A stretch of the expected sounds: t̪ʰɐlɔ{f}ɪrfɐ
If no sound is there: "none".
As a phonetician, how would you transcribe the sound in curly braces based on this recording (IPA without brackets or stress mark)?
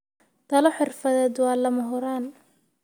ħ